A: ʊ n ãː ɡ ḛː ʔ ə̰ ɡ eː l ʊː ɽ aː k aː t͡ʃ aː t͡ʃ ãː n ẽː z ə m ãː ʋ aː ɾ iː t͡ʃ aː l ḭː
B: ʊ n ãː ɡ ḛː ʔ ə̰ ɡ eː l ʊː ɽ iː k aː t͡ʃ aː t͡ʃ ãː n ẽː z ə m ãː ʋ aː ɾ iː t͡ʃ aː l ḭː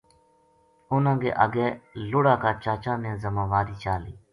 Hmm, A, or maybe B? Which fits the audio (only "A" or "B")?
A